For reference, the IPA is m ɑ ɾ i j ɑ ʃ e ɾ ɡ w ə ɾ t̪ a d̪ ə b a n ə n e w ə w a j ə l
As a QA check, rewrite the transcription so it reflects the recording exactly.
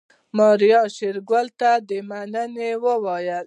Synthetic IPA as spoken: m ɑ ɾ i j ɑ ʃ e ɾ ɡ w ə l t̪ a d̪ ə m a n ə n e w ə w ɑ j ə l